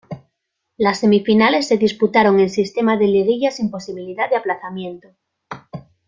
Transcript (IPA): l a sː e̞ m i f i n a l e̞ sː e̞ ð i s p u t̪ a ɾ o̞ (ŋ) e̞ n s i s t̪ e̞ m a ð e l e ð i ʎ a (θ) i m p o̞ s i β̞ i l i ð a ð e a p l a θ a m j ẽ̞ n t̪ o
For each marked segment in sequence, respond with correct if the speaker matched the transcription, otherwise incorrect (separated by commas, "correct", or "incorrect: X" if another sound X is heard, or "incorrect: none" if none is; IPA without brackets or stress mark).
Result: correct, incorrect: s